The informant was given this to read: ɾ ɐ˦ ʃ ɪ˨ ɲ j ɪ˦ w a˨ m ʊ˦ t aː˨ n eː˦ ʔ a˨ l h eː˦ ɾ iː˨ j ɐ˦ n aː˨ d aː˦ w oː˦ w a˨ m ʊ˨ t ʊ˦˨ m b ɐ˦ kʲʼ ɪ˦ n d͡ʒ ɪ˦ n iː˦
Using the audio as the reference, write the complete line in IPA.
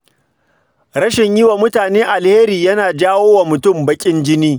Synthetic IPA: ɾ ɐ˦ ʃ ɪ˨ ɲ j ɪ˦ w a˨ m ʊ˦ t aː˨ n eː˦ ʔ a˨ l h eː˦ ɾ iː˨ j ɐ˦ n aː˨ d͡ʒ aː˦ w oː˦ w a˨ m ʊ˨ t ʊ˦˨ m b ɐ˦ kʲʼ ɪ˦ n d͡ʒ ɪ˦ n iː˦